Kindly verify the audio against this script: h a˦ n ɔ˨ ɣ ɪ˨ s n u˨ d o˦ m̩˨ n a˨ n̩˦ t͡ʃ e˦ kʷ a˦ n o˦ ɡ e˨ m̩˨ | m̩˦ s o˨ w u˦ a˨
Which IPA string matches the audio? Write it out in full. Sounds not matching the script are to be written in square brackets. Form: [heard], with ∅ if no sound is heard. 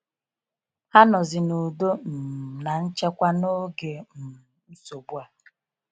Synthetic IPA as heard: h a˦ n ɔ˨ [z] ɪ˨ [∅] n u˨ d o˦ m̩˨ n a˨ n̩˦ t͡ʃ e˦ kʷ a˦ n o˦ ɡ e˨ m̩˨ | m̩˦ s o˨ [b] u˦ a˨